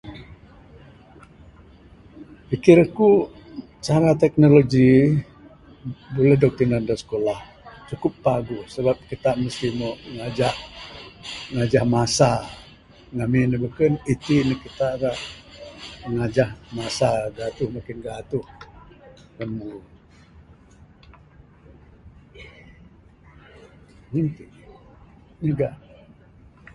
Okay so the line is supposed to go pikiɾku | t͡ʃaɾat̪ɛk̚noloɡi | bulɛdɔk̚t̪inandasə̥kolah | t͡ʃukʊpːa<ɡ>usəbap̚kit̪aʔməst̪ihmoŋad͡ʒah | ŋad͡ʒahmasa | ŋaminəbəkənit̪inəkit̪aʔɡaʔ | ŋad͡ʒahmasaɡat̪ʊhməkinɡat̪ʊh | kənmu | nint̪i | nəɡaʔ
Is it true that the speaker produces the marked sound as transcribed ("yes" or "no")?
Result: yes